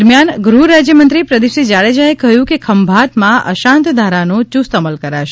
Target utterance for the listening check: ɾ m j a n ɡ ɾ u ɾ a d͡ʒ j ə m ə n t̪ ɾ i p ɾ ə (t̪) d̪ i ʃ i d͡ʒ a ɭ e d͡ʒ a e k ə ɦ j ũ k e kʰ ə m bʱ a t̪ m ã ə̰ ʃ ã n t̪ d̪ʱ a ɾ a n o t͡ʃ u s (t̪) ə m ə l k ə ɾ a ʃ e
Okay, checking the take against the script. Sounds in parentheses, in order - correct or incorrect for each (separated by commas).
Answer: incorrect, correct